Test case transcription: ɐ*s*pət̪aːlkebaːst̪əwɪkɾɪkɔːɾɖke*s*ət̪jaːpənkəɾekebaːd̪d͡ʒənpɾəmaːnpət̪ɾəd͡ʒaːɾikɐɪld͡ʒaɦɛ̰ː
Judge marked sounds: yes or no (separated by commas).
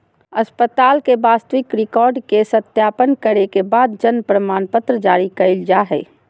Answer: yes, yes